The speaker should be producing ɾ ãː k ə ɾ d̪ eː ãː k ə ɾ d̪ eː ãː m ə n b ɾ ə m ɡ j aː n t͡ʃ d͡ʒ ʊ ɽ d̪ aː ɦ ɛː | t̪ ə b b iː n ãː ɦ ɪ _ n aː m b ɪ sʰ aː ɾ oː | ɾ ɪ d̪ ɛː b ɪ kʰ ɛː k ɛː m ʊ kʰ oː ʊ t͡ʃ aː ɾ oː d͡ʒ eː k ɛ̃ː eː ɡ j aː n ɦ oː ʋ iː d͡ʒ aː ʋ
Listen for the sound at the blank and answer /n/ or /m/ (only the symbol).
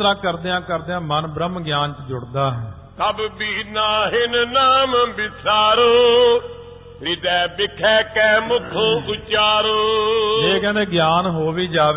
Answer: n